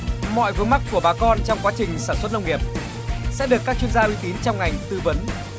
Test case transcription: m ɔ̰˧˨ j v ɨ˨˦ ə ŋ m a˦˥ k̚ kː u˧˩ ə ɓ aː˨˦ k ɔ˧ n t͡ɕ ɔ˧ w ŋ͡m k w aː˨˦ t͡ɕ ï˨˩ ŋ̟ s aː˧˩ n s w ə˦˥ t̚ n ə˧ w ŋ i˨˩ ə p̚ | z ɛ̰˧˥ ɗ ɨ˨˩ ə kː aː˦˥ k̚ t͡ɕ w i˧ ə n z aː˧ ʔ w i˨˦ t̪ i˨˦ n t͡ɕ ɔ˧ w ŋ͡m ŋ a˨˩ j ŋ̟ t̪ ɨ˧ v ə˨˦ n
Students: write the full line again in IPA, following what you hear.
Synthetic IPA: m ɔ̰˧˨ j v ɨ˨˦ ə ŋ m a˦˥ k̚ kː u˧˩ ə ɓ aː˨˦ k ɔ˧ n t͡ɕ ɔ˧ w ŋ͡m k w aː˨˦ t͡ɕ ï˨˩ ŋ̟ s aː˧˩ n s w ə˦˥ t̚ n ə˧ w ŋ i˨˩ ə p̚ | s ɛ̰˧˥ ɗ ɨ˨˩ ə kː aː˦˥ k̚ t͡ɕ w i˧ ə n z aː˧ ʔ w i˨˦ t̪ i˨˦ n t͡ɕ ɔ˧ w ŋ͡m ŋ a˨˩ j ŋ̟ t̪ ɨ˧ v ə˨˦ n